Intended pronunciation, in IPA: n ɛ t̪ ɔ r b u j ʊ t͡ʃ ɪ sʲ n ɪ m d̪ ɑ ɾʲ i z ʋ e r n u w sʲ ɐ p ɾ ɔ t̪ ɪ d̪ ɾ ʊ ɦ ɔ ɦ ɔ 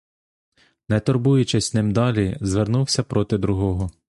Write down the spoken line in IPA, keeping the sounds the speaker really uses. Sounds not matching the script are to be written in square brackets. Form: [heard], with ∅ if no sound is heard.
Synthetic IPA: n ɛ t̪ ɔ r b u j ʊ t͡ʃ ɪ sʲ n ɪ m d̪ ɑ [lʲ] i z ʋ e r n u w sʲ ɐ p ɾ ɔ t̪ ɪ d̪ ɾ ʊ ɦ ɔ ɦ ɔ